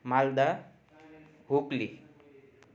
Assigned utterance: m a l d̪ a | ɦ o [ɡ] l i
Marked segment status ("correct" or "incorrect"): incorrect